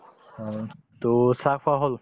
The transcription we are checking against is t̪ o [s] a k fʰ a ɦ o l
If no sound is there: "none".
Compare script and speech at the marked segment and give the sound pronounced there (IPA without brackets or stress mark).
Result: s